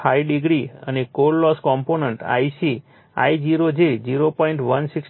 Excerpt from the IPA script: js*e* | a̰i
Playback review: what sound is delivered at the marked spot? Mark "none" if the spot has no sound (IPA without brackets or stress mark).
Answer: i